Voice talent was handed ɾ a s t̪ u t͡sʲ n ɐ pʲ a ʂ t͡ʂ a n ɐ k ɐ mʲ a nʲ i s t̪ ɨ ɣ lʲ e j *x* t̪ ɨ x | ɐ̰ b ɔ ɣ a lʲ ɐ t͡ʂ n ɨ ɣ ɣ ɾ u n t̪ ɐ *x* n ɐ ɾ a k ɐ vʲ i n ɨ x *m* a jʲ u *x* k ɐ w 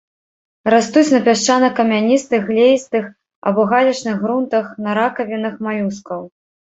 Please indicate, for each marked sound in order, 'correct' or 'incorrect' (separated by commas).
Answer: incorrect, correct, correct, incorrect